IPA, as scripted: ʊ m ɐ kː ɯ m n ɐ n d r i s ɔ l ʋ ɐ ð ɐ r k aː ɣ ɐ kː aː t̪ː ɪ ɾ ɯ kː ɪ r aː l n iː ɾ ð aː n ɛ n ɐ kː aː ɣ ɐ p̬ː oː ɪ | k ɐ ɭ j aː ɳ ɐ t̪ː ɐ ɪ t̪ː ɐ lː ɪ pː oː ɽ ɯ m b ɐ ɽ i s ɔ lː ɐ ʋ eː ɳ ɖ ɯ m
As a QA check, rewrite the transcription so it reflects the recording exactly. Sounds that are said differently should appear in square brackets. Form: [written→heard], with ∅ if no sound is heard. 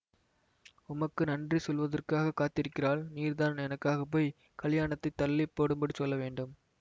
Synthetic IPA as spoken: ʊ m ɐ kː ɯ [m→∅] n ɐ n d r i s ɔ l ʋ ɐ ð ɐ r k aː ɣ ɐ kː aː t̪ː ɪ ɾ ɯ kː ɪ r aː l n iː ɾ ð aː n ɛ n ɐ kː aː ɣ ɐ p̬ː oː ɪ | k ɐ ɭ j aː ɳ ɐ t̪ː ɐ ɪ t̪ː ɐ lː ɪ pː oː ɽ ɯ m b ɐ ɽ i s ɔ lː ɐ ʋ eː ɳ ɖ ɯ m

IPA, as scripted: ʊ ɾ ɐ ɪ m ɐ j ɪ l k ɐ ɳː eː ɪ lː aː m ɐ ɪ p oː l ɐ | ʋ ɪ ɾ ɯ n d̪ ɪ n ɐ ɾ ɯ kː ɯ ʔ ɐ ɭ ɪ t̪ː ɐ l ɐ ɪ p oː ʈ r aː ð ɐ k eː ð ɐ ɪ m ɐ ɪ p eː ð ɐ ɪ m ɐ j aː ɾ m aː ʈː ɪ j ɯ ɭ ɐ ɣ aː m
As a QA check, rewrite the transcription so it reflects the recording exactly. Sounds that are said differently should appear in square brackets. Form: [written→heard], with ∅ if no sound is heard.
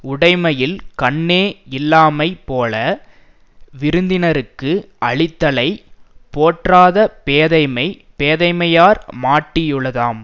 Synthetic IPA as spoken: ʊ [ɾ→ɽ] ɐ ɪ m ɐ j ɪ l k ɐ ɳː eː ɪ lː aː m ɐ ɪ p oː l ɐ | ʋ ɪ ɾ ɯ n d̪ ɪ n ɐ ɾ ɯ kː ɯ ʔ ɐ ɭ ɪ t̪ː ɐ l ɐ ɪ p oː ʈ r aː ð ɐ [k→p] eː ð ɐ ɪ m ɐ ɪ p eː ð ɐ ɪ m ɐ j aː ɾ m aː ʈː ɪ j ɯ ɭ ɐ [ɣ→ð] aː m

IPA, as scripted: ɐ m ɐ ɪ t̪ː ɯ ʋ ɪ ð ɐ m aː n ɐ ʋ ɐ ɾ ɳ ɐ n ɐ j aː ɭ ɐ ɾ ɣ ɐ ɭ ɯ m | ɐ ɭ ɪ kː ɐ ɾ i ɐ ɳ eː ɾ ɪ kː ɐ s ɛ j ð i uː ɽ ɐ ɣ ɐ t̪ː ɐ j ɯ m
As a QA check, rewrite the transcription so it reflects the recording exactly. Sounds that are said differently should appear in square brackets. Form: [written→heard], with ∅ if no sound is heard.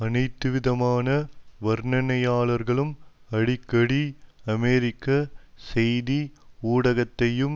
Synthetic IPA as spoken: ɐ [m→n] ɐ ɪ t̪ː ɯ ʋ ɪ ð ɐ m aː n ɐ ʋ ɐ ɾ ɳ ɐ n ɐ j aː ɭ ɐ ɾ ɣ ɐ ɭ ɯ m | ɐ [ɭ→ɽ] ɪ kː ɐ [ɾ→ɽ] i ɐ [ɳ→m] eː ɾ ɪ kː ɐ s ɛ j ð i uː ɽ ɐ ɣ ɐ t̪ː ɐ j ɯ m

